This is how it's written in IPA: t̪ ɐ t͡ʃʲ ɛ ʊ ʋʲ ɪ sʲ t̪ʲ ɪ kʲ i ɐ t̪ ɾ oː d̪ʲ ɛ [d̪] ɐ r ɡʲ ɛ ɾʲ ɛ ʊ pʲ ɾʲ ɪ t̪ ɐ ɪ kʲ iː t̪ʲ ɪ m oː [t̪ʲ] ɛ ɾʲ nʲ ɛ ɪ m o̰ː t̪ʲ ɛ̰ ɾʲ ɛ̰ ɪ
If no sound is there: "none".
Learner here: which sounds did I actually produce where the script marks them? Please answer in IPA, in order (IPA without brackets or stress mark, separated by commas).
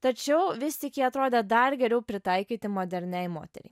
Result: d̪, d̪ʲ